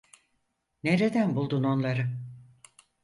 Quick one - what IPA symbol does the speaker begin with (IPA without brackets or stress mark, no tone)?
n